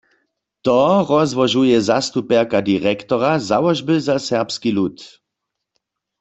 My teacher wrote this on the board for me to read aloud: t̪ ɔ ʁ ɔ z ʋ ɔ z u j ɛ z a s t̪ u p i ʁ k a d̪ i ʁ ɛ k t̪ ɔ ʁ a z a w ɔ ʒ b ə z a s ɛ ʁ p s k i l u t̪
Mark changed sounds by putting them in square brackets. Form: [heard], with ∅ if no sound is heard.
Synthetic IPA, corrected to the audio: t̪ ɔ ʁ ɔ z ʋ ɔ [ʒ] u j ɛ z a s t̪ u p [ɛ] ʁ k a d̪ i ʁ ɛ k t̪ ɔ ʁ a z a w ɔ ʒ b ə z a s ɛ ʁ p s k i l u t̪